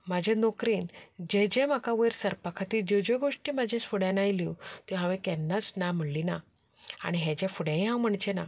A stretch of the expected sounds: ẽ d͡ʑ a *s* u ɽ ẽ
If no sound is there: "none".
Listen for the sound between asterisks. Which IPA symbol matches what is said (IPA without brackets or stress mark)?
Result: f